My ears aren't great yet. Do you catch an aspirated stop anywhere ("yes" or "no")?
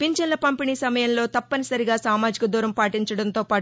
no